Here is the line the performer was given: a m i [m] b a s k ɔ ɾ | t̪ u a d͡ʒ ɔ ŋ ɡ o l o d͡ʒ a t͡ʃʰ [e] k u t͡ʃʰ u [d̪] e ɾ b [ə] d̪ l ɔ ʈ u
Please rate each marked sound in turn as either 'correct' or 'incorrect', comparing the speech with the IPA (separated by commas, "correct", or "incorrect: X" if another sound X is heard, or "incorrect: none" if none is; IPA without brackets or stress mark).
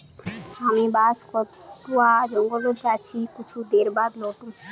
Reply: incorrect: none, incorrect: i, correct, incorrect: a